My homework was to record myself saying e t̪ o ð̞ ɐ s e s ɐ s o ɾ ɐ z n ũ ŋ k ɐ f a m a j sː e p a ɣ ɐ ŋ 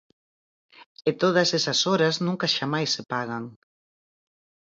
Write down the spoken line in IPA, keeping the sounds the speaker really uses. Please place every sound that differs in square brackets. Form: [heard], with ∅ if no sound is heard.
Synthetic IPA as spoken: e t̪ o ð̞ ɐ s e s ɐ s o ɾ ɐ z n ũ ŋ k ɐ [ʃ] a m a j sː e p a ɣ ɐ ŋ